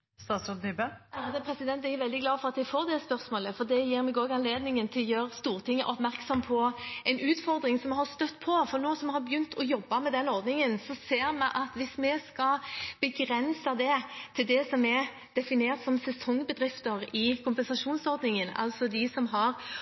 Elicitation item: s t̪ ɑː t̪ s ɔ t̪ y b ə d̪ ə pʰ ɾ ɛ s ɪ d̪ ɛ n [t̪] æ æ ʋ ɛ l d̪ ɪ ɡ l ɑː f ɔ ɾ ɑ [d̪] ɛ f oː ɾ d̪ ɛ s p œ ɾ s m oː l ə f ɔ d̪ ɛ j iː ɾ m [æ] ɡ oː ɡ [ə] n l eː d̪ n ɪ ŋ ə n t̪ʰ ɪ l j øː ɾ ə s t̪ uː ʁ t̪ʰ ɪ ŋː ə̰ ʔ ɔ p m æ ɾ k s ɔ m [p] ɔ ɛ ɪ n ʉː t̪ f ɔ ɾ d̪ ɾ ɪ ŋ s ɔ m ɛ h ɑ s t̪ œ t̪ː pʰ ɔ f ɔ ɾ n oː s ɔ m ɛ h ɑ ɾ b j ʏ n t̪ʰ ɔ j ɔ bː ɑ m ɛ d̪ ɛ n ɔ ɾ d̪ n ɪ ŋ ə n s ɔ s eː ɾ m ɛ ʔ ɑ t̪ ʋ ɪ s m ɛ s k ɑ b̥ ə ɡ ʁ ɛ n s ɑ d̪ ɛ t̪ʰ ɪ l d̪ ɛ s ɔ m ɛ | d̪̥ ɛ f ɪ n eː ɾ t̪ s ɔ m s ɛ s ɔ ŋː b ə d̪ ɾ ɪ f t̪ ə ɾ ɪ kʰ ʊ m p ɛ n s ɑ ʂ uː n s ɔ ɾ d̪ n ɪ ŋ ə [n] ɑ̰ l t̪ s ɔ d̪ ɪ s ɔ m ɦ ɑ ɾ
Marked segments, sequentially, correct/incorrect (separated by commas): correct, incorrect, incorrect, incorrect, incorrect, correct